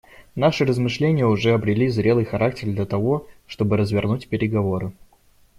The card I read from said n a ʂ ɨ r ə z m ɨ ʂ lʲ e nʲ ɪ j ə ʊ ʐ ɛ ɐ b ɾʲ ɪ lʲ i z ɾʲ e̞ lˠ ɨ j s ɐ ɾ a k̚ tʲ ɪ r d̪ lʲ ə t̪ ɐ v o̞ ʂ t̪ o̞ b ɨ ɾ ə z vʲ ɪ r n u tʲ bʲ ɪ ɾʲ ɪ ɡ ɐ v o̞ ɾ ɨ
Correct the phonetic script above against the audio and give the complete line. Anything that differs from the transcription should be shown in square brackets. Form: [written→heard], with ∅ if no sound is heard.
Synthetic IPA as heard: n a ʂ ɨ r ə z m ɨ ʂ lʲ e nʲ ɪ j ə ʊ ʐ ɛ ɐ b ɾʲ ɪ lʲ i z ɾʲ e̞ lˠ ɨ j [s→x] ɐ ɾ a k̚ tʲ ɪ r d̪ lʲ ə t̪ ɐ v o̞ ʂ t̪ o̞ b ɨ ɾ ə z vʲ ɪ r n u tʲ [bʲ→pʲ] ɪ ɾʲ ɪ ɡ ɐ v o̞ ɾ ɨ